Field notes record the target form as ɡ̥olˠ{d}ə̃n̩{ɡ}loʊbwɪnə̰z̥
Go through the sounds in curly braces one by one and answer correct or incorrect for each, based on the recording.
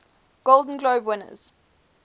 correct, correct

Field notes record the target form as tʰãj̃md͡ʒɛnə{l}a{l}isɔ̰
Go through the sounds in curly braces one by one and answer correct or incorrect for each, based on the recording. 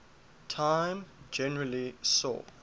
incorrect, correct

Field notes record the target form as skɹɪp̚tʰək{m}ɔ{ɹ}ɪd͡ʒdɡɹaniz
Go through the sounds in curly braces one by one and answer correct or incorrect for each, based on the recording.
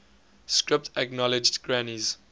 incorrect, incorrect

